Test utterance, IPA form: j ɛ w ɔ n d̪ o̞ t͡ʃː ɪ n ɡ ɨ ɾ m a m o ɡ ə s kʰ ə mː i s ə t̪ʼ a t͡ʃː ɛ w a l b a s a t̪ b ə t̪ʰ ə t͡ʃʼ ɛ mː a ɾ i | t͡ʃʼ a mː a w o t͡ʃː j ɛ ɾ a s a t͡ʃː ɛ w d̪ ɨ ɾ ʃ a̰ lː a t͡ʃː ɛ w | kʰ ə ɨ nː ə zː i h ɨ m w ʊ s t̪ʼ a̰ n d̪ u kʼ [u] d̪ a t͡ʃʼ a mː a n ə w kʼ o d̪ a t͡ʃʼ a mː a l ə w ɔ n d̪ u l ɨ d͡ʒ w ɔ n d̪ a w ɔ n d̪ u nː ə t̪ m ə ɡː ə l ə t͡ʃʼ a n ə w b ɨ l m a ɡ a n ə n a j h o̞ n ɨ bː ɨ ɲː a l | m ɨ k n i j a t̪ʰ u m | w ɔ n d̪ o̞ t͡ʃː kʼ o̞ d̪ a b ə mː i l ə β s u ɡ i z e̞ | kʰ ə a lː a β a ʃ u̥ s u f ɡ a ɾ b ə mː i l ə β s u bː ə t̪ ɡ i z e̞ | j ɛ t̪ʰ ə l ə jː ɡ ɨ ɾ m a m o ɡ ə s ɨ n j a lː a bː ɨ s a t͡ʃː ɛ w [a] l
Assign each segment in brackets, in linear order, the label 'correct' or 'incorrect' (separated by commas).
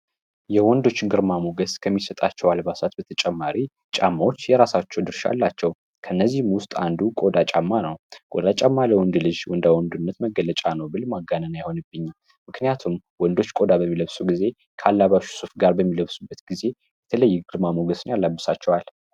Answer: incorrect, correct